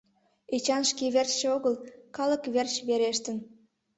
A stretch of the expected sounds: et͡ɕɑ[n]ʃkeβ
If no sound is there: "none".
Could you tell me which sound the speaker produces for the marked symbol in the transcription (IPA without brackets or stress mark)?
n